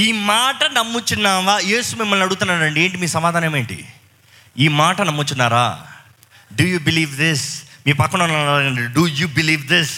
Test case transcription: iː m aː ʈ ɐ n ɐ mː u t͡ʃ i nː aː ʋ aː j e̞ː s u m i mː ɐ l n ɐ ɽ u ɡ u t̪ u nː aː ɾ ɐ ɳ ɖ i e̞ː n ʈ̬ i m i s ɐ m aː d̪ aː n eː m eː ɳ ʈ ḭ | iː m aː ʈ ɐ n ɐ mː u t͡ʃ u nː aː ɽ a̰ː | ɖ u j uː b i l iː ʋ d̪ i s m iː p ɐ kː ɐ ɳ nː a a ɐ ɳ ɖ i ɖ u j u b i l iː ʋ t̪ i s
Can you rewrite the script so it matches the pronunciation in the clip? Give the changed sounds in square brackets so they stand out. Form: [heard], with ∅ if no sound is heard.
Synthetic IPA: iː m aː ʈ ɐ n ɐ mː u t͡ʃ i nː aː ʋ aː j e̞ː s u m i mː ɐ l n ɐ ɽ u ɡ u t̪ u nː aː ɾ ɐ ɳ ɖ i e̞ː [ɳ] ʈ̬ i m [iː] s ɐ m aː d̪ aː n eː m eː ɳ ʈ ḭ | iː m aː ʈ ɐ n ɐ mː u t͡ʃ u nː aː [ɾ] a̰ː | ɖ u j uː b i l iː ʋ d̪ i s m iː p ɐ kː ɐ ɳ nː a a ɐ ɳ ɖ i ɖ u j u b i l iː ʋ [d̪] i s